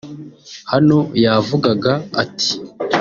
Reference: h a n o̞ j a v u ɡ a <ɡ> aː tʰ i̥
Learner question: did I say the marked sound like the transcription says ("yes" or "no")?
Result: yes